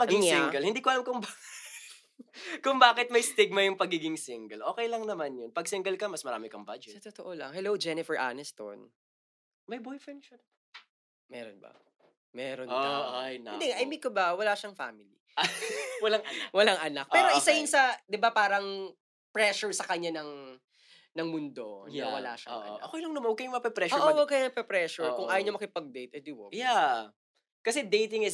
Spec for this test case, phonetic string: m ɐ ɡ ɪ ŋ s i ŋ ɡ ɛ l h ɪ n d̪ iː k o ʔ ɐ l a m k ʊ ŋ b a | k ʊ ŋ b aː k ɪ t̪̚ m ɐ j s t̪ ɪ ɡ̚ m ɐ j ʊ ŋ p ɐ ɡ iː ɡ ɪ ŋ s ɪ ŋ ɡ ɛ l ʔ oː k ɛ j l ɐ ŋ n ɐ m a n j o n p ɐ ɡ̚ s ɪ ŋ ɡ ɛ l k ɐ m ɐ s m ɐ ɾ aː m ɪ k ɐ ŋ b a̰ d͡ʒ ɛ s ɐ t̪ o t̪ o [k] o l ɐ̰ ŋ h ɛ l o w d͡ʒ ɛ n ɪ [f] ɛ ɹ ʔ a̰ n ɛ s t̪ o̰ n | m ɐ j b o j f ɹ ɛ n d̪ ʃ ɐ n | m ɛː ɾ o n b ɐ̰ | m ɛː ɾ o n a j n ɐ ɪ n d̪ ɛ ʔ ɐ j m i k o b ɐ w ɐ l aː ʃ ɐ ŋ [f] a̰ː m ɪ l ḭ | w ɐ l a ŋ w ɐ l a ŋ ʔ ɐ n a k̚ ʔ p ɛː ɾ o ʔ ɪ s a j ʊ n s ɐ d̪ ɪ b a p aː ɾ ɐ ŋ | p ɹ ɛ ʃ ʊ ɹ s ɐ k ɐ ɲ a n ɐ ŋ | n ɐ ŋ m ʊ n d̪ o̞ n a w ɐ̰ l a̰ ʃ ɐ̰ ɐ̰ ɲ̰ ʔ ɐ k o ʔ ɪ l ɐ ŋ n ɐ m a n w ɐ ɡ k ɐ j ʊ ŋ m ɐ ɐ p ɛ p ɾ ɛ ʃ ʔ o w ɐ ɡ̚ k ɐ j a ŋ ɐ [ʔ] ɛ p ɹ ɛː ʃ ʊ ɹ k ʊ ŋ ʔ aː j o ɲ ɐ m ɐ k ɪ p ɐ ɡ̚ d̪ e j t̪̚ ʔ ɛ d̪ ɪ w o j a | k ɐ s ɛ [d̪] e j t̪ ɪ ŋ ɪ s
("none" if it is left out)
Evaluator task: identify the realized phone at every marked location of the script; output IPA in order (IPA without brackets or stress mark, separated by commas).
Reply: ʔ, f, f, p, d̪